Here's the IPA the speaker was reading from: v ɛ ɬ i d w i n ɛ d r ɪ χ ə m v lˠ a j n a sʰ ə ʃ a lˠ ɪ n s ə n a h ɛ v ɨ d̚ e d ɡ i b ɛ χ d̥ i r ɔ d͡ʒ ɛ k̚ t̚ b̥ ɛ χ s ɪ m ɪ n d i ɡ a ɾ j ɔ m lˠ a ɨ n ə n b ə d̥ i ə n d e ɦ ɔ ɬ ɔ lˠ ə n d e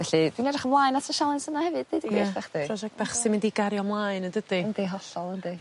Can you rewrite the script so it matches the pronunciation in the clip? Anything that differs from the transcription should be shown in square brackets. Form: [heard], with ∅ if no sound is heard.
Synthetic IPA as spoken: v ɛ ɬ i d w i n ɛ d r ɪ χ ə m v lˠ a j n a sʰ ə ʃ a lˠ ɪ n s ə n a h ɛ v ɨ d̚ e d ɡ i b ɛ χ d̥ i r ɔ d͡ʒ ɛ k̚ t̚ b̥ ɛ χ s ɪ m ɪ n d i ɡ a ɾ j ɔ m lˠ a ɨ n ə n [d] ə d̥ i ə n d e ɦ ɔ ɬ ɔ lˠ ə n d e